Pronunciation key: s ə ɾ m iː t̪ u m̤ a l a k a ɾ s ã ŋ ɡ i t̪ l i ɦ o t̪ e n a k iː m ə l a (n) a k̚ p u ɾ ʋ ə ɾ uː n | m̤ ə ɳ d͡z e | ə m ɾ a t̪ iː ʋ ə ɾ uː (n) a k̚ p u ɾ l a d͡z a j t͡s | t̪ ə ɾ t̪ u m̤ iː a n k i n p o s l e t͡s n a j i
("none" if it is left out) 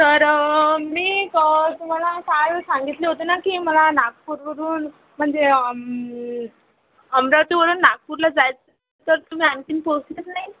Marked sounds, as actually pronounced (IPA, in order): n, nː

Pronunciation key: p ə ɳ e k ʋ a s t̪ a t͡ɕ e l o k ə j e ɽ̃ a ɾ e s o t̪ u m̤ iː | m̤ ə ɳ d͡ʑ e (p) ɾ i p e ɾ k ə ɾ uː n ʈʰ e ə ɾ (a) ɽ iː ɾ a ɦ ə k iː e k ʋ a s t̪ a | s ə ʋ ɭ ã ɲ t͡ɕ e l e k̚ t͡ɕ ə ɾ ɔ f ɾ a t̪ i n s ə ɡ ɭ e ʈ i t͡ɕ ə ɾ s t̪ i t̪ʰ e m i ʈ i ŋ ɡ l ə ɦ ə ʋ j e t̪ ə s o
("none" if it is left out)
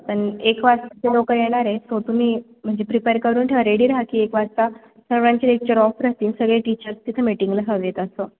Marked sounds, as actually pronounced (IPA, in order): p, e

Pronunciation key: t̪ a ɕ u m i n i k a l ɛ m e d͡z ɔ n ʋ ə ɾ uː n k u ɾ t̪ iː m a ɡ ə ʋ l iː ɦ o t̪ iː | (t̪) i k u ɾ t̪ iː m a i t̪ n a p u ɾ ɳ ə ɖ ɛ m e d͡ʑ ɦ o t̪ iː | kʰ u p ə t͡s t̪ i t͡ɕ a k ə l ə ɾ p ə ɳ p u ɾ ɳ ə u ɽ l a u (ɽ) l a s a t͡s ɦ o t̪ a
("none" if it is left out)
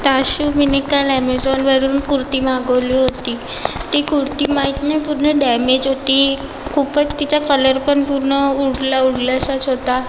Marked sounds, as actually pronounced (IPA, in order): t̪, ɽ

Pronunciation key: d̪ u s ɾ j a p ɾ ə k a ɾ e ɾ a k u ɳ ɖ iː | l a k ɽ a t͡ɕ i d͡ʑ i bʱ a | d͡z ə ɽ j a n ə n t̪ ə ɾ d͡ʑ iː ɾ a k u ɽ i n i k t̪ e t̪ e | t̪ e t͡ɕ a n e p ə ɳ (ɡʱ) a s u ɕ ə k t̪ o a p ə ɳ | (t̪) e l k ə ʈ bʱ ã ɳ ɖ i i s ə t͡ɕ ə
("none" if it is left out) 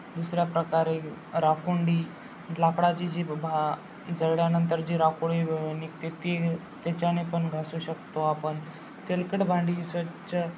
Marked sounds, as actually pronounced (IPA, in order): ɡʱ, t̪

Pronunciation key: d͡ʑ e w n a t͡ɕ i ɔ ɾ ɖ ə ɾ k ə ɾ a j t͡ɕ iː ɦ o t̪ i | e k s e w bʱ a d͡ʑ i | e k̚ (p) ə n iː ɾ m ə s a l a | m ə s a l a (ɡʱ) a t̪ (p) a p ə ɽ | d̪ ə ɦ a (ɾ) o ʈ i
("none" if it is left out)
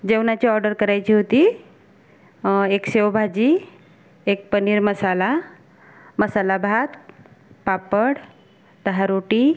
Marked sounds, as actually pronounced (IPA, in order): p, bʱ, p, ɾ

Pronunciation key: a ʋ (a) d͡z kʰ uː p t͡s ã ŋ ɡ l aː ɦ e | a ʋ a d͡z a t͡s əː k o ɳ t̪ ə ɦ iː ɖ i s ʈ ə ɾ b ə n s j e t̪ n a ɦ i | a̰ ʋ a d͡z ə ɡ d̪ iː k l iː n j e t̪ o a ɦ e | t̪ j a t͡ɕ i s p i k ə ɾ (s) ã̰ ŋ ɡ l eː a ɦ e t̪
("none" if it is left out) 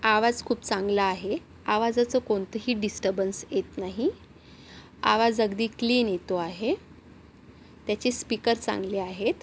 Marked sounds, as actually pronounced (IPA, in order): a, t͡s

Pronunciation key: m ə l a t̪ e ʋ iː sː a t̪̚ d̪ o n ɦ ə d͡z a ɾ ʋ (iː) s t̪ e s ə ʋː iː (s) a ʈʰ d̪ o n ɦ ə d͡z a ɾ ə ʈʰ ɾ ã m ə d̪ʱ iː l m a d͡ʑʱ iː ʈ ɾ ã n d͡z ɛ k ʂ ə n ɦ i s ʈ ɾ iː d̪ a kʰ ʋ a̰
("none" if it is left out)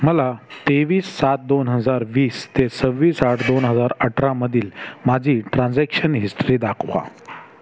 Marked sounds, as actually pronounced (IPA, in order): iː, s

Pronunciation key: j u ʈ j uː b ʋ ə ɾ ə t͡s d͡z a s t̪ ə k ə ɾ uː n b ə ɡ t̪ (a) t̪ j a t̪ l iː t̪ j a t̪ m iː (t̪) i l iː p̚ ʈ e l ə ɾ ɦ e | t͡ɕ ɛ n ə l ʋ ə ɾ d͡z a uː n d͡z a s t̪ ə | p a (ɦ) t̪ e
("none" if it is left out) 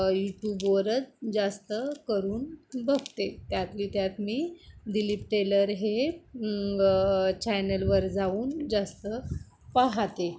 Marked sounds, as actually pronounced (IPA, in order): e, d̪, ɦ

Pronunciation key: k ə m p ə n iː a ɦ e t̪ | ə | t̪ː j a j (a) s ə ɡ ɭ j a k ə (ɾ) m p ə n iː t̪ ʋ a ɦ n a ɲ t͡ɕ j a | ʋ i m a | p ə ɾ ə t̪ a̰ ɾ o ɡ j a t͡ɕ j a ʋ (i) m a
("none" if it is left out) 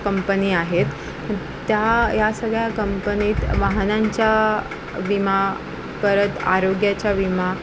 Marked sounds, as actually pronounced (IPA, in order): a, none, i

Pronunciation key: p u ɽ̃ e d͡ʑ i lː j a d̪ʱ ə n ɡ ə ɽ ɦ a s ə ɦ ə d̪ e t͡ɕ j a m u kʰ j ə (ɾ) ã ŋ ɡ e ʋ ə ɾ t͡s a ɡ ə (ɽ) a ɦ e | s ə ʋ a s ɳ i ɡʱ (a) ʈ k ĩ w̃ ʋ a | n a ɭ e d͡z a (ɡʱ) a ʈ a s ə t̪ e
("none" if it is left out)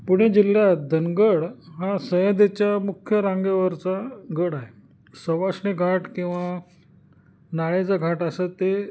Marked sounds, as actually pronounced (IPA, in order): ɾ, ɽ, a, ɡʱ

